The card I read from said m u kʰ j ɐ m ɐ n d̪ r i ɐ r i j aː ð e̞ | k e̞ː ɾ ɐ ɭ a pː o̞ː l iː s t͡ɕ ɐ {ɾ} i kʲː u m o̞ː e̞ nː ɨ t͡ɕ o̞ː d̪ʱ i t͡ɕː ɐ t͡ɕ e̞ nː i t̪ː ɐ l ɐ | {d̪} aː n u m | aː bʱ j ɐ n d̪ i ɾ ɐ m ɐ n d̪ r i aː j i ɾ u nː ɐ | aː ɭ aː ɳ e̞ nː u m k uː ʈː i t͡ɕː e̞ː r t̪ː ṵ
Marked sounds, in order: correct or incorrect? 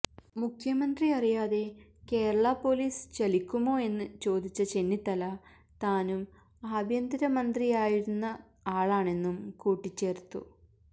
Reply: incorrect: l, incorrect: t̪

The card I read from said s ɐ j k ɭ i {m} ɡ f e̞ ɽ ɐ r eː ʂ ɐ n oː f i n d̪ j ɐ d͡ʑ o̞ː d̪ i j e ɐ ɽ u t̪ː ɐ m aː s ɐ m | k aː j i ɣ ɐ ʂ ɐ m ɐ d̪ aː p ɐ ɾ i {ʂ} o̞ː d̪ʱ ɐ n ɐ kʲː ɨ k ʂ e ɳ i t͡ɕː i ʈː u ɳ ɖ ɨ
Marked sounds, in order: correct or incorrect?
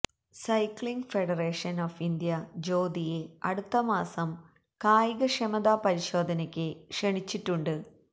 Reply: incorrect: ŋ, incorrect: ɕ

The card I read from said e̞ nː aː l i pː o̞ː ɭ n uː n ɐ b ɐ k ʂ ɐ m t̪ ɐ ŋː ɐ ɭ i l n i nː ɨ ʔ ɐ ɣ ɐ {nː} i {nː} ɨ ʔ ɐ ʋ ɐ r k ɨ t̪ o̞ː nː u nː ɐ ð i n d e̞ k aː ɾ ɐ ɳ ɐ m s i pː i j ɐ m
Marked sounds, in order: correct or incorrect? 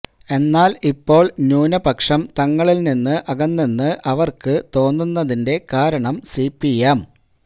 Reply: correct, correct

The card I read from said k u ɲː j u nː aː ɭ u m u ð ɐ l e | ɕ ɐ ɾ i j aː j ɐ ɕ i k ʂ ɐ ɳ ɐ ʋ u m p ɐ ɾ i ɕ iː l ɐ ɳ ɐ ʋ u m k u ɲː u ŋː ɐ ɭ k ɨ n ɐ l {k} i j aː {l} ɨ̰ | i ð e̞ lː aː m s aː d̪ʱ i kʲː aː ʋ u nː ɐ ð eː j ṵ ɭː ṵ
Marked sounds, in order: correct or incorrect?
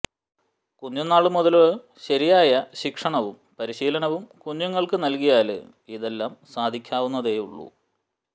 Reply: correct, correct

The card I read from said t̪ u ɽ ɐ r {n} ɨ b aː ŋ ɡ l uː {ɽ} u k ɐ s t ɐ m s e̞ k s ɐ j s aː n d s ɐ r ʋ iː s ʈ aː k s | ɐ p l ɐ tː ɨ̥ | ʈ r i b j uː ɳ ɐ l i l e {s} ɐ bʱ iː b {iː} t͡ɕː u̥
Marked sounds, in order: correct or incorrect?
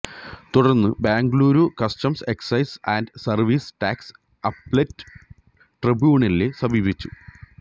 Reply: incorrect: nː, incorrect: ɾ, correct, incorrect: i

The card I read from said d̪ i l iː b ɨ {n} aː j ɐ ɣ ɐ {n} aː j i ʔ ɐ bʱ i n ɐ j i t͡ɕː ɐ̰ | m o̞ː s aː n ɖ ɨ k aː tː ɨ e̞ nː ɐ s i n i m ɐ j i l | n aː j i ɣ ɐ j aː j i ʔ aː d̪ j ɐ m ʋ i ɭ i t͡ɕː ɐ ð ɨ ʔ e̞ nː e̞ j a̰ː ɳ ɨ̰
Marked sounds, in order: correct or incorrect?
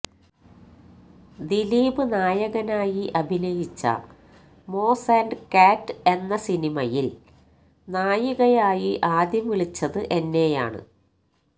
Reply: correct, correct

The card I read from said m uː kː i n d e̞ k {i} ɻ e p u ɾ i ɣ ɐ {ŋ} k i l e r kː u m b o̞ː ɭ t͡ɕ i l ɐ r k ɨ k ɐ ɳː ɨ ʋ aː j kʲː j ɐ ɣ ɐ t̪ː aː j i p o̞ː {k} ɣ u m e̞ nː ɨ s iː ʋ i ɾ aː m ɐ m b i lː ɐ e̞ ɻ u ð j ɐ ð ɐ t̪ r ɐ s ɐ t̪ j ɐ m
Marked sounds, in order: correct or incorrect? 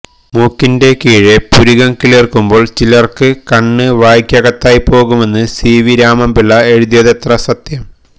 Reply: incorrect: iː, correct, incorrect: none

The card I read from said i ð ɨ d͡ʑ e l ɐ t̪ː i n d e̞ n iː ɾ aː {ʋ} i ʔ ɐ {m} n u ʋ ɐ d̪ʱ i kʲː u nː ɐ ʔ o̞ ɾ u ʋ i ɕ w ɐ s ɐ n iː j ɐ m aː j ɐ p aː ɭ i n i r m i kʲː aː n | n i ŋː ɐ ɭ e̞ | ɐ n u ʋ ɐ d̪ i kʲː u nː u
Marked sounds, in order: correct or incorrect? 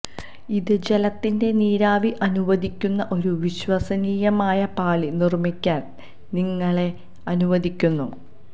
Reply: correct, incorrect: none

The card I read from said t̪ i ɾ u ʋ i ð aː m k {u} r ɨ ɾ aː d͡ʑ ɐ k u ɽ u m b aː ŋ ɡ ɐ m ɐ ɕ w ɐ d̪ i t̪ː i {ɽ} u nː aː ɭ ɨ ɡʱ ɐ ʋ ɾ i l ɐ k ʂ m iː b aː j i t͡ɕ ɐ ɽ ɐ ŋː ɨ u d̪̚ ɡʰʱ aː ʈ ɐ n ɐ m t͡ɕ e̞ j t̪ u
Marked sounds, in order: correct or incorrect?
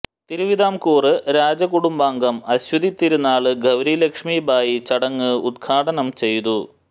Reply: incorrect: uː, incorrect: ɾ

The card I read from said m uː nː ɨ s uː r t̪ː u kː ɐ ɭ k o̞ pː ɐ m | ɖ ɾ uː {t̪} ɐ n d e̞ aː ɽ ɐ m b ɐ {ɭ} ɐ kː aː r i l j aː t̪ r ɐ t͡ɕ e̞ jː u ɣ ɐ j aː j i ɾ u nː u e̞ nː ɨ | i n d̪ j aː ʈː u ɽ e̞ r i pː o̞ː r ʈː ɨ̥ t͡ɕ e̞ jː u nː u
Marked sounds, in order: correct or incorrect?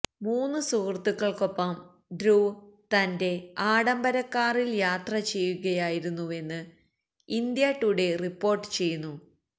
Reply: correct, incorrect: ɾ

